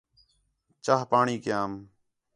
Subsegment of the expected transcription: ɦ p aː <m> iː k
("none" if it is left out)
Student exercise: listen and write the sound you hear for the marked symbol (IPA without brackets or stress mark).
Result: ɳ